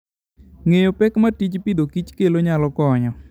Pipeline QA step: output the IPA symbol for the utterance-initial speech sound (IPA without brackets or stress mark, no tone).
ŋ